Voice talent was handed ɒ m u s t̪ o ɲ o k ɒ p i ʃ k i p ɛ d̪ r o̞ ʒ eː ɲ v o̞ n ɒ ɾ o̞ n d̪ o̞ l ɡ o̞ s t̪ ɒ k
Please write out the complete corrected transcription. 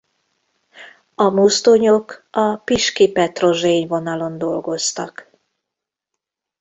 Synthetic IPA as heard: ɒ m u s t̪ o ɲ o k ɒ p i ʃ k i p ɛ t̪ r o̞ ʒ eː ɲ v o̞ n ɒ l o̞ n d̪ o̞ l ɡ o̞ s t̪ ɒ k